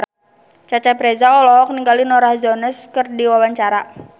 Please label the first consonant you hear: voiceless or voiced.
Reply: voiceless